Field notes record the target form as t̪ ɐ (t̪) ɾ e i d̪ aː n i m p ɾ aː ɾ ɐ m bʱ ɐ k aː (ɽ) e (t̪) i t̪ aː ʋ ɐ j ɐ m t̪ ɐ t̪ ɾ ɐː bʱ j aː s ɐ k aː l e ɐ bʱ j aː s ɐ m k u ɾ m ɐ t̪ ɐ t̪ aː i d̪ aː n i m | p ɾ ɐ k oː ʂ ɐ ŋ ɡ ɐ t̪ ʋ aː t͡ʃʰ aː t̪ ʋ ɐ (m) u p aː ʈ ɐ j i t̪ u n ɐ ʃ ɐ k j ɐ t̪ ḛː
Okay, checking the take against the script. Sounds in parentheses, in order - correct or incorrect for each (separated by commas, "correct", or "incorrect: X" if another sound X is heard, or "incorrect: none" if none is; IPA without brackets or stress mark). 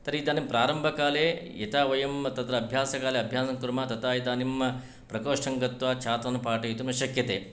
incorrect: none, incorrect: l, incorrect: none, incorrect: n